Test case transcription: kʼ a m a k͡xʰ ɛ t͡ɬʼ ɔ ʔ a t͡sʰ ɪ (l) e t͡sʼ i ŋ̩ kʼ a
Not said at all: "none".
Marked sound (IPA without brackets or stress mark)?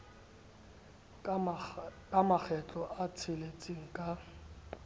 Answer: l